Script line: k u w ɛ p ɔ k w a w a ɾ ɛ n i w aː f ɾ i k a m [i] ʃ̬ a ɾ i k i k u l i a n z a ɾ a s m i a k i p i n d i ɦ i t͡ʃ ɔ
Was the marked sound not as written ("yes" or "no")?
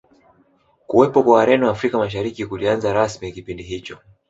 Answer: yes